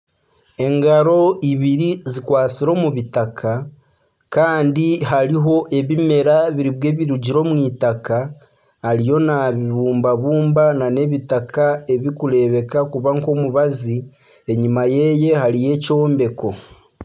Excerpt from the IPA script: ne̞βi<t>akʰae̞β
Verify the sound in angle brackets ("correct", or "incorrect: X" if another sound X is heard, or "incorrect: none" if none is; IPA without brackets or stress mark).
correct